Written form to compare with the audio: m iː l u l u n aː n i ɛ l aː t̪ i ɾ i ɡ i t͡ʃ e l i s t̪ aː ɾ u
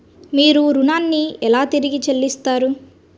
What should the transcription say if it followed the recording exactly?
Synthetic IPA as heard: m iː ɾ u ɾ u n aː nː i ɛ l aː t̪ i ɾ i ɡ i t͡ʃ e lː i s t̪ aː ɾ u